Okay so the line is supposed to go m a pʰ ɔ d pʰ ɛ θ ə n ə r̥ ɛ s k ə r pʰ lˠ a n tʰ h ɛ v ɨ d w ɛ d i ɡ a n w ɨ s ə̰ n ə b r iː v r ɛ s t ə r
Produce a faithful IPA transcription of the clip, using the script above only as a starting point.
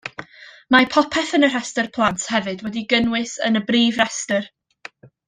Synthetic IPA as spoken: m a pʰ ɔ pʰ ɛ θ ə n ə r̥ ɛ s t ə r pʰ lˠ a n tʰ h ɛ v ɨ d w ɛ d i ɡ ə n w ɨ s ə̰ n ə b r iː v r ɛ s t ə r